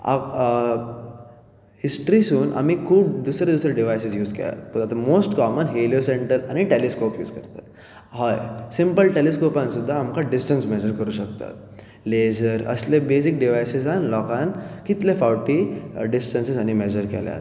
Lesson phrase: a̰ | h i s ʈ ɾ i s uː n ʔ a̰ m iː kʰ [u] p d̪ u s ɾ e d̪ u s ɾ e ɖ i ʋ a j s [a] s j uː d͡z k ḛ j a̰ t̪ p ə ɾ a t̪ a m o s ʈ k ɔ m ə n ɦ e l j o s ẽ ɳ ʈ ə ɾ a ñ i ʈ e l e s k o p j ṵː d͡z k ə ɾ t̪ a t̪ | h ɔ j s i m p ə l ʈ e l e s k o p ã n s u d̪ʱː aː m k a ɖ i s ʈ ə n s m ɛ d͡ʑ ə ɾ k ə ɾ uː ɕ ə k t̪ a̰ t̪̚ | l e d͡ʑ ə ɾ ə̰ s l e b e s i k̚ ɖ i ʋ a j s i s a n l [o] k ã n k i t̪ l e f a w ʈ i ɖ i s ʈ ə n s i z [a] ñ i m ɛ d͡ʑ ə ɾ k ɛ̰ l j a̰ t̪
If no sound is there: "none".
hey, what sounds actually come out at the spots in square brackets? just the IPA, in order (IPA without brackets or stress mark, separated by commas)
uː, i, ɔ, a